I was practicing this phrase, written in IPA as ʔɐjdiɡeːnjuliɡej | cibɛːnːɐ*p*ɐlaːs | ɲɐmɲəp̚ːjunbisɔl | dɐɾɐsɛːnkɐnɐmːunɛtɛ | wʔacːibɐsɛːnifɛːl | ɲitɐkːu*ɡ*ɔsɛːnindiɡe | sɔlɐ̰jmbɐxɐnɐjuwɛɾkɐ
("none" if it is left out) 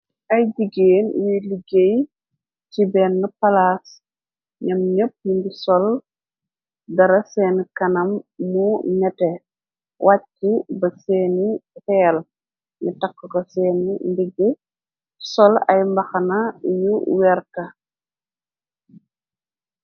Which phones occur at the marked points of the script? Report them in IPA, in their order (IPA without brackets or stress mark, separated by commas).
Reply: p, k